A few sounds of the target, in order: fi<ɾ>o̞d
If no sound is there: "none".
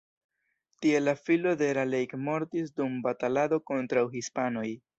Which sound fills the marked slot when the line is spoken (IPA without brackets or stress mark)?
l